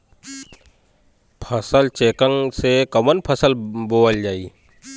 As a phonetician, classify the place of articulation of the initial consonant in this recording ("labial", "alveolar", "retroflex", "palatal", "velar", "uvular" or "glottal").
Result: labial